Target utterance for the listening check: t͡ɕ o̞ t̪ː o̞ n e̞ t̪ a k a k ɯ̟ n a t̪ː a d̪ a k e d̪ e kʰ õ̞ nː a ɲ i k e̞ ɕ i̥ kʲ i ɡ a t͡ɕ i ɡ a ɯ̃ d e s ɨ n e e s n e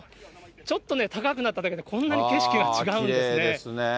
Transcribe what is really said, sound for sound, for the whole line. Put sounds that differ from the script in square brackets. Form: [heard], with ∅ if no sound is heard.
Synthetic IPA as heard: t͡ɕ o̞ t̪ː o̞ n e̞ t̪ a k a k ɯ̟ n a t̪ː a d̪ a k e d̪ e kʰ õ̞ nː a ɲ i k e̞ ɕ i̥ kʲ i ɡ a t͡ɕ i ɡ a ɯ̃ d e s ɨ n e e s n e